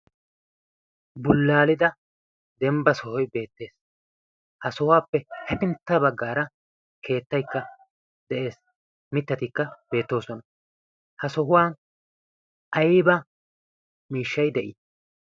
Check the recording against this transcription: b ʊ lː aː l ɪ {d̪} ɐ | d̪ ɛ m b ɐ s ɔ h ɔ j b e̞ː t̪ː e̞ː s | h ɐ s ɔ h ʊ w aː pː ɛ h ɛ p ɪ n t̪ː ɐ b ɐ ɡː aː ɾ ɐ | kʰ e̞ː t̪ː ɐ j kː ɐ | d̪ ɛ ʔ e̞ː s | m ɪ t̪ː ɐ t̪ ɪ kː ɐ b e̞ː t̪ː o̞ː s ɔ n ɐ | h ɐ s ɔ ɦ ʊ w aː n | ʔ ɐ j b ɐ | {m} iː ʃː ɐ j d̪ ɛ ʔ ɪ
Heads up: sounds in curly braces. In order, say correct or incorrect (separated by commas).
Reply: correct, correct